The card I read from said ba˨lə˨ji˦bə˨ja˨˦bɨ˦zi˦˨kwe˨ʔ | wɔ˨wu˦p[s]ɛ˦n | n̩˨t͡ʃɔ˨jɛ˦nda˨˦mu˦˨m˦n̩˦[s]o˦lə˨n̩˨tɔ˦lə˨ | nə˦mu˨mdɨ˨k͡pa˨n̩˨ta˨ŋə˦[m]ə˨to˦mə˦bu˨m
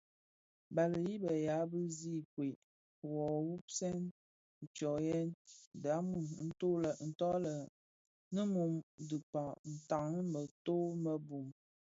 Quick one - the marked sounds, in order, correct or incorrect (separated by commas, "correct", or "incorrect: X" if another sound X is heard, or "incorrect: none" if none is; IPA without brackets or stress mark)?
correct, incorrect: t, correct